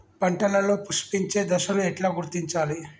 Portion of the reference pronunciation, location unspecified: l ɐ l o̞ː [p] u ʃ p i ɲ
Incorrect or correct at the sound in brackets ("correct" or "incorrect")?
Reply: correct